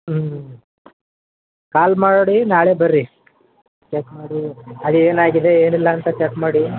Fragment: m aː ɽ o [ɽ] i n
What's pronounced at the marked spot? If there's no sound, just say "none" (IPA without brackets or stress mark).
ɽ